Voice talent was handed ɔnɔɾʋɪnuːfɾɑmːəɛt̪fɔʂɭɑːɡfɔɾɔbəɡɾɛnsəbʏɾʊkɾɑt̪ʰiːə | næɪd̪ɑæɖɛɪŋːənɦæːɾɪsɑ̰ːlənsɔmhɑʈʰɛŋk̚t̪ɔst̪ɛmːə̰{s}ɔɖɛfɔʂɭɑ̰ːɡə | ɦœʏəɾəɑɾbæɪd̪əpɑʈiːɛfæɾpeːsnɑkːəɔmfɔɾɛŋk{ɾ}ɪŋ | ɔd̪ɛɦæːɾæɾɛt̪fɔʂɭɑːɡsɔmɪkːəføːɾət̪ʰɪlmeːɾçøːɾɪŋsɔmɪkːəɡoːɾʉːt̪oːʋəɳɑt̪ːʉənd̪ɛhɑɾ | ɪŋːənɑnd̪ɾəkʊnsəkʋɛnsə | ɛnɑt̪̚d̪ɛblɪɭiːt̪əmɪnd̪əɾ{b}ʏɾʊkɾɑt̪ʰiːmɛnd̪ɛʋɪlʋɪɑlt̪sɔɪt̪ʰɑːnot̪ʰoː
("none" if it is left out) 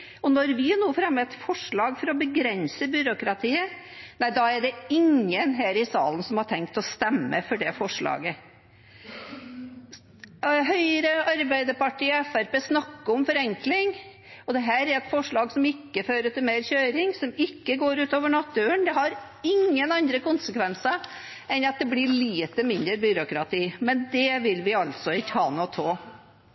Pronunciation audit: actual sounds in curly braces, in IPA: f, l, b

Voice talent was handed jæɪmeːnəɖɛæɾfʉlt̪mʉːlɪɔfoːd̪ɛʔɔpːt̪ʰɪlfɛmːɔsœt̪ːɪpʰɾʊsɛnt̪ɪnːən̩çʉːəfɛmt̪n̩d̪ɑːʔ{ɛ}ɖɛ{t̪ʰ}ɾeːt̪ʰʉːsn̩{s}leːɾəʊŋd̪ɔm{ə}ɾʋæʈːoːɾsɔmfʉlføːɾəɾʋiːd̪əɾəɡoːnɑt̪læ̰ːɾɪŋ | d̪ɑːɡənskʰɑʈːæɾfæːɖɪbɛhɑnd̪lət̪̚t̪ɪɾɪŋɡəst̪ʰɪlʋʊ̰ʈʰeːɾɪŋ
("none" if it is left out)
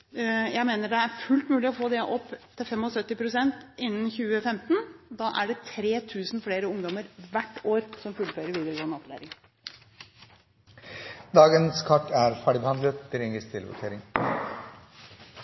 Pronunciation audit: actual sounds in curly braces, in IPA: æ, t̪ʰ, f, ə

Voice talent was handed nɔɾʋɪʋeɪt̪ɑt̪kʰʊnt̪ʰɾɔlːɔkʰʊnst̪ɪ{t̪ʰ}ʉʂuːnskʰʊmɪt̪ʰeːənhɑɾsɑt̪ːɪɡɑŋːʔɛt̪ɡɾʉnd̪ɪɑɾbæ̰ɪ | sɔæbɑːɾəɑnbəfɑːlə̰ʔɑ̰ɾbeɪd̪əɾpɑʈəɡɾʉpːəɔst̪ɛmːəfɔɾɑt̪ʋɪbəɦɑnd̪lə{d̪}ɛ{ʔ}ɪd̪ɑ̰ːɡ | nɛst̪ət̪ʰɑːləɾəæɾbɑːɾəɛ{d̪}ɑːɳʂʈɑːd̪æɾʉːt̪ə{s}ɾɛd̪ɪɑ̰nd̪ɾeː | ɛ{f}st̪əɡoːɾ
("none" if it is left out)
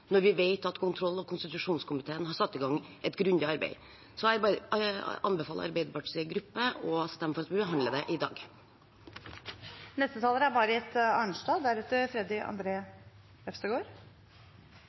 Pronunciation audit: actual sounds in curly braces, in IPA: t̪, d̪, ʔ, t̪, f, f

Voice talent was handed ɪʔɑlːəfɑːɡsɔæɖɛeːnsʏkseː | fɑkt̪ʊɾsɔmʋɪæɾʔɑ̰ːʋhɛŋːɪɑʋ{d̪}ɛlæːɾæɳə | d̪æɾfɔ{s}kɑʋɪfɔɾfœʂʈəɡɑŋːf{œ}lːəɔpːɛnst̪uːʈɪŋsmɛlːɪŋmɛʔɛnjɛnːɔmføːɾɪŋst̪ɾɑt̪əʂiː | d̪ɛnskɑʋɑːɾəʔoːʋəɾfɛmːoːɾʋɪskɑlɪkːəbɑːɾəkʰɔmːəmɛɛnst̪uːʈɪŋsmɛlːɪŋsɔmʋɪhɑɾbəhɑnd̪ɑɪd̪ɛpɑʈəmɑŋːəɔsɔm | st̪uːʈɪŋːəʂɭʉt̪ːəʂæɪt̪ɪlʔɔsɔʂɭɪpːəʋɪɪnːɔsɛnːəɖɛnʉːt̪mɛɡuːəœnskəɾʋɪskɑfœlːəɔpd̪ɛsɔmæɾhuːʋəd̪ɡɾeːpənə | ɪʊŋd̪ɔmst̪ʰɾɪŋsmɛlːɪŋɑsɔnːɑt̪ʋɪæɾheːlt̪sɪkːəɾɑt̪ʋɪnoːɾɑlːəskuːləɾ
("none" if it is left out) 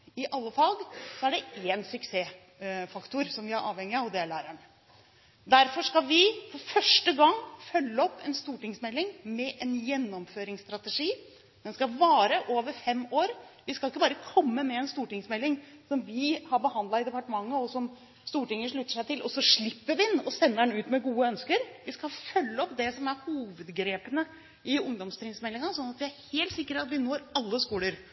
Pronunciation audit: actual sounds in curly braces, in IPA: d̪, ʂ, œ

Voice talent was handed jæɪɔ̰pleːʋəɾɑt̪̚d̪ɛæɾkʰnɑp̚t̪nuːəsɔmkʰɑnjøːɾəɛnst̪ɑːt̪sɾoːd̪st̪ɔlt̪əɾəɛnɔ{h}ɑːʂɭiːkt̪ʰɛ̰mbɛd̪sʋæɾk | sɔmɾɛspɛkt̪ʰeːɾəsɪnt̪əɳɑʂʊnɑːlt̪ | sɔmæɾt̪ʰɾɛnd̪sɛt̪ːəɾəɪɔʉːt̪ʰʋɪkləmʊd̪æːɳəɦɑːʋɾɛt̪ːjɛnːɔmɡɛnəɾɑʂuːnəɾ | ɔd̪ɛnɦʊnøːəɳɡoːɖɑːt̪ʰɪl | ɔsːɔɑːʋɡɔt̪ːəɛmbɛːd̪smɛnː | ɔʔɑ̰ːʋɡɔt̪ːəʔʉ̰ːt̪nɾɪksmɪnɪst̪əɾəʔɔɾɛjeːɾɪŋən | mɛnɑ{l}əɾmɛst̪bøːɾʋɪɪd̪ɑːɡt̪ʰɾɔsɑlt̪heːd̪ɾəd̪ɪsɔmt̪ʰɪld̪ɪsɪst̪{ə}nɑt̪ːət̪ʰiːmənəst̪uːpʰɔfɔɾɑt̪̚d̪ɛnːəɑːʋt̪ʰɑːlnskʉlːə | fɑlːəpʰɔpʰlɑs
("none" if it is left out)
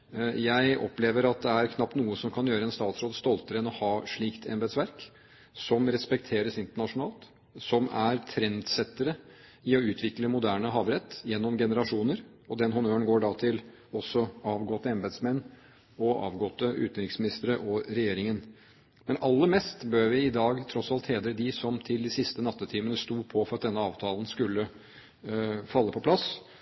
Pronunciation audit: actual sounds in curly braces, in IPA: h, lː, ə

